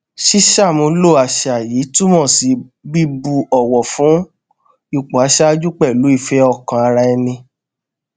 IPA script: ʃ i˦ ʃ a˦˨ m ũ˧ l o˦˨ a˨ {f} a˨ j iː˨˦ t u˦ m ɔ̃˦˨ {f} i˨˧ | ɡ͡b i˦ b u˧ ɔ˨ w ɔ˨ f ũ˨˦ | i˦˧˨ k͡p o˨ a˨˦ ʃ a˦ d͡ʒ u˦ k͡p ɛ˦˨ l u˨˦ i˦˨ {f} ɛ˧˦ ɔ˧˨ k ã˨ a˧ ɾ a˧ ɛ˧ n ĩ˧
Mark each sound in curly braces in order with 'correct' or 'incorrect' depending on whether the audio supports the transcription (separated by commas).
incorrect, incorrect, correct